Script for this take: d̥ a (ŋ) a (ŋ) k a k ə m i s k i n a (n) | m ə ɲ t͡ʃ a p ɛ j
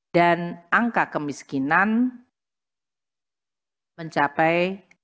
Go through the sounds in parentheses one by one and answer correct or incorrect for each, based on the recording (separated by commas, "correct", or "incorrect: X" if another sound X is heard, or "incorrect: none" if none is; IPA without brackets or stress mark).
incorrect: n, correct, correct